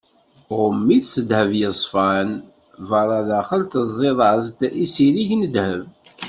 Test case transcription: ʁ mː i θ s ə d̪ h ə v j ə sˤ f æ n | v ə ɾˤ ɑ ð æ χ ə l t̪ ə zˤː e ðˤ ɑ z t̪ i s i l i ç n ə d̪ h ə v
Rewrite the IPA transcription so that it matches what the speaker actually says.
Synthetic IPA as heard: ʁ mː i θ s ə d̪ h ə v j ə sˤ f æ n | v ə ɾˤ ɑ ð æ χ ə l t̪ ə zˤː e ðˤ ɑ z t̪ i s i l i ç n ə d̪ h ə v

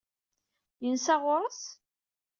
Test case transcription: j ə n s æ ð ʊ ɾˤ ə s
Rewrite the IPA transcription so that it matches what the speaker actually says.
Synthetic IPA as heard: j ə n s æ ʁ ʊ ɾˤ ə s

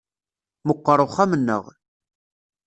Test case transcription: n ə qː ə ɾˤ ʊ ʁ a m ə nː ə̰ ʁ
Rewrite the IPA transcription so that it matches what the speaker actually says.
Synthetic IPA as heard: m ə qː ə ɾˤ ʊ χ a m ə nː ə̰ ʁ

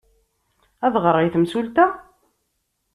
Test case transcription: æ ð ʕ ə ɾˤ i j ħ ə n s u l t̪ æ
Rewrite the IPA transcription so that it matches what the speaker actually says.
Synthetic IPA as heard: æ ð ʁ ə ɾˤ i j θ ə m s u l t̪ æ

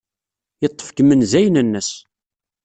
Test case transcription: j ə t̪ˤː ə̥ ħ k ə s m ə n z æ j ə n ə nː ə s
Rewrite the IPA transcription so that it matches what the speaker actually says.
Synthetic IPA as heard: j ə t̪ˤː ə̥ f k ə m ə n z æ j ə n ə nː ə s

